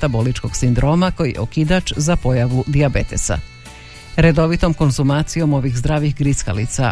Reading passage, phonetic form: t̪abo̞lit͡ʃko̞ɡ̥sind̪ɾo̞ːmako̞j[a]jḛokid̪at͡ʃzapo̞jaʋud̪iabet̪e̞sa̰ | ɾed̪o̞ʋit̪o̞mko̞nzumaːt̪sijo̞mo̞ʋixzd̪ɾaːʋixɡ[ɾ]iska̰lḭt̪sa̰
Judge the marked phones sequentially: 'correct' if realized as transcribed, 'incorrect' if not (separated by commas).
incorrect, correct